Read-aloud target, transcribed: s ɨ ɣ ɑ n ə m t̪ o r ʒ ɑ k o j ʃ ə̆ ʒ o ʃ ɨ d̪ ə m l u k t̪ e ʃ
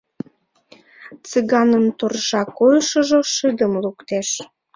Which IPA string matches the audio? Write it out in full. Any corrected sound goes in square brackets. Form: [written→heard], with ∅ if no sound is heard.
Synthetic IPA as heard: [s→t͡s] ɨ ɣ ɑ n ə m t̪ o r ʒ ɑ k o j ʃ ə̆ ʒ o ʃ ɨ d̪ ə m l u k t̪ e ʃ